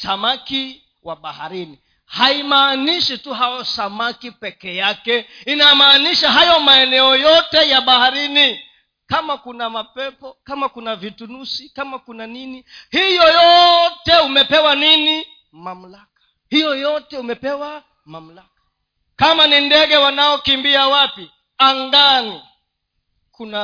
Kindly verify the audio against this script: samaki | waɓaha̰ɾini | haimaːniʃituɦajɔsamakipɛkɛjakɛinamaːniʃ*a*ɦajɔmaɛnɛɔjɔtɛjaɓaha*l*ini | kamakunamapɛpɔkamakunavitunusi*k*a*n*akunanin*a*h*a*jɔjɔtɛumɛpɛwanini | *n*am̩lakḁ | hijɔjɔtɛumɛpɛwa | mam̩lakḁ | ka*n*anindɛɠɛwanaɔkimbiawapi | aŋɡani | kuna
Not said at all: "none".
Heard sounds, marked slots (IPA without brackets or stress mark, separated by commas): a, ɾ, k, m, i, i, m, m